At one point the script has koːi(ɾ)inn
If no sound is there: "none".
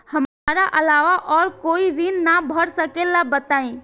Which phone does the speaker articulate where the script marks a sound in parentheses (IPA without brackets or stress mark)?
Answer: ɾ